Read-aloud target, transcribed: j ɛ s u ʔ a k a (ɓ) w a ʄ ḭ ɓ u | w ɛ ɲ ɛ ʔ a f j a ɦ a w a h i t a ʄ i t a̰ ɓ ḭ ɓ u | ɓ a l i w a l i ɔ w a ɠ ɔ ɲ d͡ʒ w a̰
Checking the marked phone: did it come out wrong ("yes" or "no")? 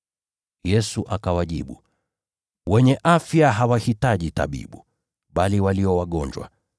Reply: yes